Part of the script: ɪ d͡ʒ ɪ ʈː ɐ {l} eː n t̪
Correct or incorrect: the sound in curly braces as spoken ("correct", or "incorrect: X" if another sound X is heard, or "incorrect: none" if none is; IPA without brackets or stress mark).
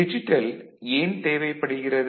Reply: correct